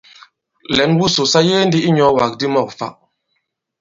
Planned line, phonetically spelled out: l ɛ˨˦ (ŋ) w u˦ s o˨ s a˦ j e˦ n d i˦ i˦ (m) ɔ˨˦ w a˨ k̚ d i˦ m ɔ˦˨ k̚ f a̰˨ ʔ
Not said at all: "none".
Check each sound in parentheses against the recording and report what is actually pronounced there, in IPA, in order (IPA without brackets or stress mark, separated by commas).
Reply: n, ɲ